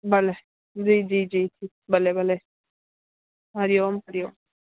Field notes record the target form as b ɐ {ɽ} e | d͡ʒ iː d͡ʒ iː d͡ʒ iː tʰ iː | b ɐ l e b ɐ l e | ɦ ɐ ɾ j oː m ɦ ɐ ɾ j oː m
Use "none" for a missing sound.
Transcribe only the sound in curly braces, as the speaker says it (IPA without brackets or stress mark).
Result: l